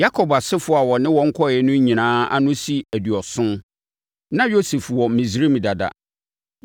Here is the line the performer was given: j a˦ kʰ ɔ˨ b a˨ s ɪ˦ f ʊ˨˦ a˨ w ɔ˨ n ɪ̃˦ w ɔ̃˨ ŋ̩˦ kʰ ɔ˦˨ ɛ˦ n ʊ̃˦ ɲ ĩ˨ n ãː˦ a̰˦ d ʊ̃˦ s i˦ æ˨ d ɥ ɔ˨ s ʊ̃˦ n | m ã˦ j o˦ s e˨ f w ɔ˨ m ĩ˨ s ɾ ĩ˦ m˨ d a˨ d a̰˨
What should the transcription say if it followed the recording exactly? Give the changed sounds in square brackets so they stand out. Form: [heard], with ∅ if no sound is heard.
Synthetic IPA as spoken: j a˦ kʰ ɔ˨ b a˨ s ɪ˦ f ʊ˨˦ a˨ w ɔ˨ n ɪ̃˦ w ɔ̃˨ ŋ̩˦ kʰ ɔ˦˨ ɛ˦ n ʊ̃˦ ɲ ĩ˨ n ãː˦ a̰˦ [n] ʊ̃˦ s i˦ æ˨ d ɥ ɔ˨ s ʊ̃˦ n | [n] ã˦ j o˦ s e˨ f w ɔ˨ m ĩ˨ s ɾ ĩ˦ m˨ d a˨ d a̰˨